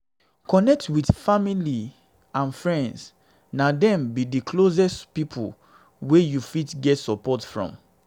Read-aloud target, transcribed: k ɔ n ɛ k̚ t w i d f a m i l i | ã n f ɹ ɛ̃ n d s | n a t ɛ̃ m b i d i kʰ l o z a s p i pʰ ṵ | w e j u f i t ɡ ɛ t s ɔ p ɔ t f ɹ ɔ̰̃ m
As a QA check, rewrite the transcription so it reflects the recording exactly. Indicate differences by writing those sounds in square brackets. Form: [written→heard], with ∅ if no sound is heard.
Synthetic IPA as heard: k ɔ n ɛ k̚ t w i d f a m i l i | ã n f ɹ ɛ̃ n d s | n a [t→d] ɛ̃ m b i d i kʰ l o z [a→ɛ] s p i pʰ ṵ | w e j u f i t ɡ ɛ t s ɔ p ɔ t f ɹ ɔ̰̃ m